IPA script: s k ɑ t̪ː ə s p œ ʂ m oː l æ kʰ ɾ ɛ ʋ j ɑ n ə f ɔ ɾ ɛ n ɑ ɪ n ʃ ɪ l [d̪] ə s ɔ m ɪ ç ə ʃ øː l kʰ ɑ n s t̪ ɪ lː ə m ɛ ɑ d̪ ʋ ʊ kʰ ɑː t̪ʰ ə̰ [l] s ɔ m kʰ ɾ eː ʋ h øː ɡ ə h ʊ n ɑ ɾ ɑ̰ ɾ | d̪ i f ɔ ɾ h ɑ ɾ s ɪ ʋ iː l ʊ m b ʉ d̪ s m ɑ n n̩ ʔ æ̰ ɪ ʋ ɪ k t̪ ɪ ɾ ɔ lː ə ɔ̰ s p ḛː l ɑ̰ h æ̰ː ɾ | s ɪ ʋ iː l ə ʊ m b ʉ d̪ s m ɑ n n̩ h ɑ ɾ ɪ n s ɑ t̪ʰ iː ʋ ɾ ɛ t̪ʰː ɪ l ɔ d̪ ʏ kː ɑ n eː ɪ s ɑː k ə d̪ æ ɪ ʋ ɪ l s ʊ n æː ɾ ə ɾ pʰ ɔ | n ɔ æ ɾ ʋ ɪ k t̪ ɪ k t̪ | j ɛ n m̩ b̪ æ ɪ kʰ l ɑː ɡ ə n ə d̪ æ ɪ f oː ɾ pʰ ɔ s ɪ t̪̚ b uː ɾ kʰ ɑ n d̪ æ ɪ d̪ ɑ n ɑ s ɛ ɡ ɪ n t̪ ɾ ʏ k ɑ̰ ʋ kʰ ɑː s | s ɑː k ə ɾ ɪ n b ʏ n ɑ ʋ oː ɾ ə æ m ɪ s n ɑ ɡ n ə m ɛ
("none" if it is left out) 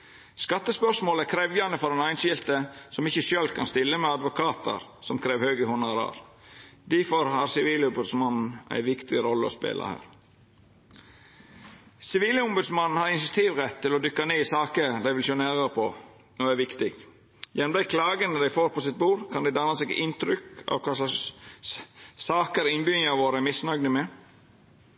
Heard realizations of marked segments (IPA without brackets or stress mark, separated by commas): t̪, ɾ